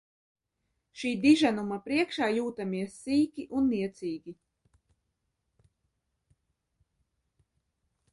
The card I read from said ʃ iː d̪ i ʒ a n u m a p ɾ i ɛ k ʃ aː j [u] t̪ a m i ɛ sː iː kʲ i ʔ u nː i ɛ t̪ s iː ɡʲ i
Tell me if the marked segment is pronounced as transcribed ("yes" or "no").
no